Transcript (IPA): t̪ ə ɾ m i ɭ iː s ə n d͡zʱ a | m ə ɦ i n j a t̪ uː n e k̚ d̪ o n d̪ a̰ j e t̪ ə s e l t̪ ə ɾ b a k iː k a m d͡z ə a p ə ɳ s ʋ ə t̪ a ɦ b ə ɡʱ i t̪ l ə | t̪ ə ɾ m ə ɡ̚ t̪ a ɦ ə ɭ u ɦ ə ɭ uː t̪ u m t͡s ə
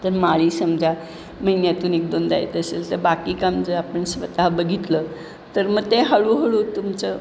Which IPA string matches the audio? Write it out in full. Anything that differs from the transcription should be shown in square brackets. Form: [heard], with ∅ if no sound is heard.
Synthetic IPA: t̪ ə ɾ m [a] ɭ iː s ə [m] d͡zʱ a | m ə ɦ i n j a t̪ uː n e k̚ d̪ o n d̪ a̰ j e t̪ ə s e l t̪ ə ɾ b a k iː k a m d͡z ə a p ə ɳ s ʋ ə t̪ a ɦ b ə ɡʱ i t̪ l ə | t̪ ə ɾ m ə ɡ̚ t̪ [e] ɦ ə ɭ u ɦ ə ɭ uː t̪ u m t͡s ə